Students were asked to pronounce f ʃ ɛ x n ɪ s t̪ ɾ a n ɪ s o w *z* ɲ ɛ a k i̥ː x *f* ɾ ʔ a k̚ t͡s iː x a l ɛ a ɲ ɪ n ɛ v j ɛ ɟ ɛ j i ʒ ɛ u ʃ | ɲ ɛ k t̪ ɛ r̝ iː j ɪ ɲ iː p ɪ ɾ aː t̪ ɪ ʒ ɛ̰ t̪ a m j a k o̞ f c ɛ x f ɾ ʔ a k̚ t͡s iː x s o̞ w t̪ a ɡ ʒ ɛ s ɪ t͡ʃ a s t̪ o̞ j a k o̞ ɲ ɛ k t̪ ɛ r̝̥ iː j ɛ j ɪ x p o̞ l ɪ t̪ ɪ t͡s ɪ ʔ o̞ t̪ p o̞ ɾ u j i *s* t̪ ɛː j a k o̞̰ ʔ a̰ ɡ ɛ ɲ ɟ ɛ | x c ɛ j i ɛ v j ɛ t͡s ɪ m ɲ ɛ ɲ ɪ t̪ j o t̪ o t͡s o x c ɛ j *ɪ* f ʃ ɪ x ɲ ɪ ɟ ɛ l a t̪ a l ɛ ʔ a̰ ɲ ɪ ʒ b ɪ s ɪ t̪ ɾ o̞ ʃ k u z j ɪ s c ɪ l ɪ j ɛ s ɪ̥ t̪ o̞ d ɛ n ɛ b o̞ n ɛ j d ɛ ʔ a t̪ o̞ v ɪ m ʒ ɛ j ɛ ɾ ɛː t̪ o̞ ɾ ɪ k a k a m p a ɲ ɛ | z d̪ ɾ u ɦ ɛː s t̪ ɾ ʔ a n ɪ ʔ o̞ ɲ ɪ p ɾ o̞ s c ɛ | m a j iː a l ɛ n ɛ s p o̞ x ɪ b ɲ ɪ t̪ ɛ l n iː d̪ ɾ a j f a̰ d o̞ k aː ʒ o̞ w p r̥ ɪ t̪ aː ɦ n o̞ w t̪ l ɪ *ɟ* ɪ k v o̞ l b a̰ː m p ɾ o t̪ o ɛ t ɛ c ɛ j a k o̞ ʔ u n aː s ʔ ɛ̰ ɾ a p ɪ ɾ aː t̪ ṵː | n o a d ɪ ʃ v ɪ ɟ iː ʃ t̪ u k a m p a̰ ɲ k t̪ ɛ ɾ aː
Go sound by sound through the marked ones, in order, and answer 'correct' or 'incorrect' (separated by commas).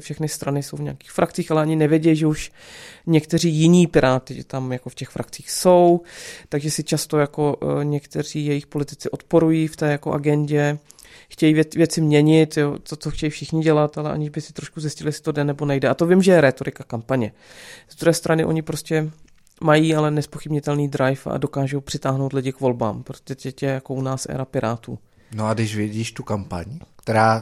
incorrect, correct, incorrect, incorrect, correct